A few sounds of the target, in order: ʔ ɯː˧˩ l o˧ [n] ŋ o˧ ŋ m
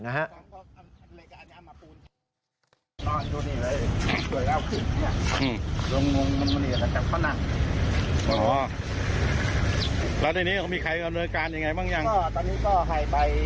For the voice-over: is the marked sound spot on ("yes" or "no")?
no